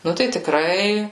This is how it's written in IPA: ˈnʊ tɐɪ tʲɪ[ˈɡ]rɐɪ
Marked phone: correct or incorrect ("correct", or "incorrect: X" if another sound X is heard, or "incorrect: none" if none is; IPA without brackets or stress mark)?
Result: incorrect: k